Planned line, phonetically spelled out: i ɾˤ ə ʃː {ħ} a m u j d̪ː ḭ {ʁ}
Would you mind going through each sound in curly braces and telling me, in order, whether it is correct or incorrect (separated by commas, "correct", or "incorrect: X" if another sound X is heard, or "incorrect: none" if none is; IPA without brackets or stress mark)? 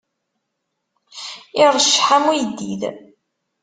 correct, incorrect: ð